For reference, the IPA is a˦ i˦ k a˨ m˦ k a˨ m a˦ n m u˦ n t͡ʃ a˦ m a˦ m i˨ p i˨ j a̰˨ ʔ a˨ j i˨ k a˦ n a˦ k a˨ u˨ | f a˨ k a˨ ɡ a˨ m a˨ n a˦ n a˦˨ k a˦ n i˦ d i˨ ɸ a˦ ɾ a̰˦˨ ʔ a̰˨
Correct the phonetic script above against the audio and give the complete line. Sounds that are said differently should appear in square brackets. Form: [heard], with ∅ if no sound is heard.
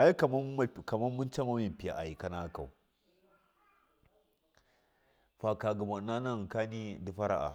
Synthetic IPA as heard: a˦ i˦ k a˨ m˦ k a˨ m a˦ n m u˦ n t͡ʃ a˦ m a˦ m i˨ p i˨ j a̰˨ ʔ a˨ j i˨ k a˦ n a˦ k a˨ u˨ | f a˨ k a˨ ɡ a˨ m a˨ n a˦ n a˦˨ k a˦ n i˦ d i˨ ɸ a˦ ɾ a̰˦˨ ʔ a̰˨

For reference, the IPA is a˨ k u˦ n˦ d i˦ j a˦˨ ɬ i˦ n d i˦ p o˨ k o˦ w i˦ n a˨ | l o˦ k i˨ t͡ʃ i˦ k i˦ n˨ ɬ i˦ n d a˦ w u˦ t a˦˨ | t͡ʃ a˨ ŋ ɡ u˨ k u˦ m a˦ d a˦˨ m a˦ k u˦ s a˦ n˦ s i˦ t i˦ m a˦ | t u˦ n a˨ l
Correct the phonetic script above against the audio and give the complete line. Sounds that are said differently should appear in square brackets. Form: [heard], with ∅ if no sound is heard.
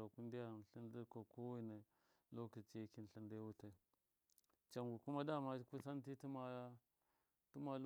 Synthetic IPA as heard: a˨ k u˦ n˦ d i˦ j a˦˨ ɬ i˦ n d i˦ [k] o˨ k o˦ w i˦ n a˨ | l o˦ k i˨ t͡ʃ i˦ k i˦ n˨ ɬ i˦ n d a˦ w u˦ t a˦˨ | t͡ʃ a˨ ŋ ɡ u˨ k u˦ m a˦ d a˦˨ m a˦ k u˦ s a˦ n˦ [t] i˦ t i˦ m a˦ | t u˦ [m] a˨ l

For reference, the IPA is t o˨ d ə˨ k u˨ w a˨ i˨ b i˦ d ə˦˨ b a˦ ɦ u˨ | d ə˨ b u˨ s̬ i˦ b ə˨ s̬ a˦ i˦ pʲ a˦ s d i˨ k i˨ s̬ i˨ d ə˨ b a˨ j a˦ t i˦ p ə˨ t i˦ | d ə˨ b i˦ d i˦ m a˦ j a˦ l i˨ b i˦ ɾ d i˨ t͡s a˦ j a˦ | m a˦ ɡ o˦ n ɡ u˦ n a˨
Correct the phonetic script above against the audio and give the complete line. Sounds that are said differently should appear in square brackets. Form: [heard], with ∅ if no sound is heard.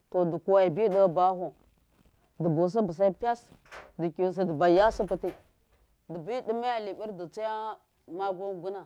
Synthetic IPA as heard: t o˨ d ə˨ k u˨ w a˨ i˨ b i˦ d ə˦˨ b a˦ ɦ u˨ | d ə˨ b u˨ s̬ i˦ b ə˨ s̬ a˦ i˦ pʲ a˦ s d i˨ k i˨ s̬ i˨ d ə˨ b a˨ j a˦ [s] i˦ p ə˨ t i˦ | d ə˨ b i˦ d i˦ m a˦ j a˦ l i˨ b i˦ ɾ d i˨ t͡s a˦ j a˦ | m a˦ ɡ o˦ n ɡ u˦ n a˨

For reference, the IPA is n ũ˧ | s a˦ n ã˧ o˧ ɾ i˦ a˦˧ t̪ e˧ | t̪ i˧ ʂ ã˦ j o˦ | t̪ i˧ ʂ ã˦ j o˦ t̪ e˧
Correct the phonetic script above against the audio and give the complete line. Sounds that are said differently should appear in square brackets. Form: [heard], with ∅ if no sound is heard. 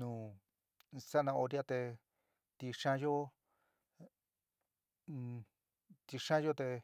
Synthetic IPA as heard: n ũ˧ | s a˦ n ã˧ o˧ ɾ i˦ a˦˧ t̪ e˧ | t̪ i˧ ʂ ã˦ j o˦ | t̪ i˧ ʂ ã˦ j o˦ t̪ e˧

